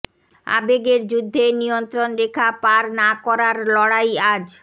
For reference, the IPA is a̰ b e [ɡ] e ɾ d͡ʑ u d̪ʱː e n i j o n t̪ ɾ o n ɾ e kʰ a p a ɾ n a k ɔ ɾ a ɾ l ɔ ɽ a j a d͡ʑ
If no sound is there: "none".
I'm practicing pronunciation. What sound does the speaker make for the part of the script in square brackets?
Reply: ɡ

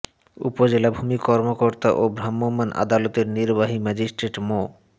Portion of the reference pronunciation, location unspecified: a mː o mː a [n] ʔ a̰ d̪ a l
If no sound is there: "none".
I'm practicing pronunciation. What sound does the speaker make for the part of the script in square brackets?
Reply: n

